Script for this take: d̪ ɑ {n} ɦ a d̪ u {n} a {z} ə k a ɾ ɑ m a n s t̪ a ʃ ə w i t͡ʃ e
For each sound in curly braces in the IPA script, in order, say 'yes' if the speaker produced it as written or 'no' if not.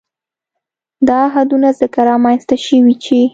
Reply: no, yes, yes

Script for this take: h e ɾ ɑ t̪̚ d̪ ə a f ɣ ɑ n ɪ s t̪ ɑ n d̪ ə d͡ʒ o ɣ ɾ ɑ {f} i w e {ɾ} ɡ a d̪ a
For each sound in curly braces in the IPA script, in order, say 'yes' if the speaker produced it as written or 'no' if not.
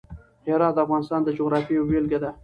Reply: yes, no

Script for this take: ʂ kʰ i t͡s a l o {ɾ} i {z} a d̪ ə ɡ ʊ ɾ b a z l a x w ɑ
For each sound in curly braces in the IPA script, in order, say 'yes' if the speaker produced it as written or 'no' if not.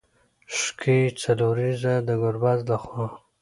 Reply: yes, yes

